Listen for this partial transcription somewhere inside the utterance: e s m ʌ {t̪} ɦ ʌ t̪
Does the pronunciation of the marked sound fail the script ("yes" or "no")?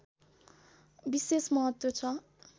yes